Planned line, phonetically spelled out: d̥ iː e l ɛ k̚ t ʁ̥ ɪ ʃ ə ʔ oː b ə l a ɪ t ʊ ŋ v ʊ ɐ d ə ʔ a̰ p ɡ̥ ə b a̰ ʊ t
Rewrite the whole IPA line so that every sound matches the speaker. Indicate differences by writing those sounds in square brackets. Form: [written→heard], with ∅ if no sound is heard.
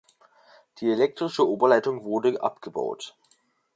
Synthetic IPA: d̥ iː e l ɛ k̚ t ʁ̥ ɪ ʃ ə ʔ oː b [ə→ɐ] l a ɪ t ʊ ŋ v ʊ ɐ d ə ʔ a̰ p ɡ̥ ə b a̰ ʊ t